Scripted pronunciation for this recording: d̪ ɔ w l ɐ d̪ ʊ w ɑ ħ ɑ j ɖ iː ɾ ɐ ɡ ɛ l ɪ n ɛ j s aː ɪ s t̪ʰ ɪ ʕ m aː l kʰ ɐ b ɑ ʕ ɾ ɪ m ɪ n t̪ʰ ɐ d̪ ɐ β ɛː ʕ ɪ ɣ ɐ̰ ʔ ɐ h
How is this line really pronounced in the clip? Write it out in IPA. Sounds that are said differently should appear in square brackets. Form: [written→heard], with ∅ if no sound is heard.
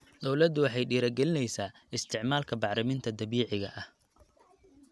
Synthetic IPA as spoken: d̪ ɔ w l ɐ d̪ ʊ w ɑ ħ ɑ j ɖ iː ɾ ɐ ɡ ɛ l ɪ n ɛ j s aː ɪ s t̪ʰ ɪ ʕ m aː l kʰ ɐ b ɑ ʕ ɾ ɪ m ɪ n t̪ʰ ɐ d̪ ɐ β [ɛː→iː] ʕ ɪ ɣ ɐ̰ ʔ ɐ h